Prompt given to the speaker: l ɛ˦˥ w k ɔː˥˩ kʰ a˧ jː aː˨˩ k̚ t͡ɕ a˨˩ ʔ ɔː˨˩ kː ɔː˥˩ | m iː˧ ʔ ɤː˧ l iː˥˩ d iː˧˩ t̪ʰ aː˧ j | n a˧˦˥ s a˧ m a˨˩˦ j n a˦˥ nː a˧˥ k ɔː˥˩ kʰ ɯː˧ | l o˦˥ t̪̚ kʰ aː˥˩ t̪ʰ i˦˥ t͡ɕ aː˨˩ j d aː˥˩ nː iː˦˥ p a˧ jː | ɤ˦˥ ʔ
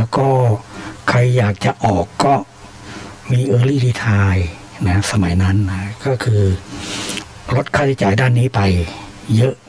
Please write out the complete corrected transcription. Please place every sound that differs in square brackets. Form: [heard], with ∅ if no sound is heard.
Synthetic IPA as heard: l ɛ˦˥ w k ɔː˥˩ kʰ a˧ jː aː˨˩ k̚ t͡ɕ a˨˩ ʔ ɔː˨˩ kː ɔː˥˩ | m iː˧ ʔ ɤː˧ l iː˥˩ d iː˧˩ t̪ʰ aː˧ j | n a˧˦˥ s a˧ m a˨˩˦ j n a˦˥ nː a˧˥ k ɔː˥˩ kʰ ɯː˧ | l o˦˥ t̪̚ kʰ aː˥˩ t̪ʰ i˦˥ t͡ɕ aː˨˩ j d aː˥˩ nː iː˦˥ p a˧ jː | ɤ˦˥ ʔ